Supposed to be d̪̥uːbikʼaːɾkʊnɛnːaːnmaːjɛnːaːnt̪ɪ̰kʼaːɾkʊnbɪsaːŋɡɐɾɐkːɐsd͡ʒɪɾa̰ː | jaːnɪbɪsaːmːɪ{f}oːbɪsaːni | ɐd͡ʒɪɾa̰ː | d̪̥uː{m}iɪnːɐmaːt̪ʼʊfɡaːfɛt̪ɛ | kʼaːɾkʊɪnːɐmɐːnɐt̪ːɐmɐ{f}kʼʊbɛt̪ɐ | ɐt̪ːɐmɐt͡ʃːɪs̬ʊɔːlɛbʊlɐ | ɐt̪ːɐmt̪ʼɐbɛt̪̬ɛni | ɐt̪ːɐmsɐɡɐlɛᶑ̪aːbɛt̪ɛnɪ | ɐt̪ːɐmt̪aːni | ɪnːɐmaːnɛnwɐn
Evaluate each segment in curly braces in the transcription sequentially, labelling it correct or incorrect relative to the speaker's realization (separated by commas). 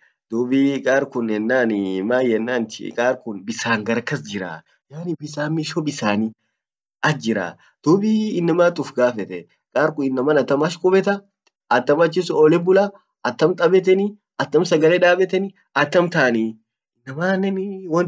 incorrect, incorrect, incorrect